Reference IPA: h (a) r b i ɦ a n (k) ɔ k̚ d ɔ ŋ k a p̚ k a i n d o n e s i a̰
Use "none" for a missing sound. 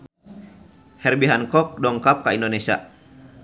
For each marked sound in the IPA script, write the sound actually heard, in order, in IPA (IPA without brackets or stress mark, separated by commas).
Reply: ɛ, k